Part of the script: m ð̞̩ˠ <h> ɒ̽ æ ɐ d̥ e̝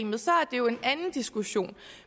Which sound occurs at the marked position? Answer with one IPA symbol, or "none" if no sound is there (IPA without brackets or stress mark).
s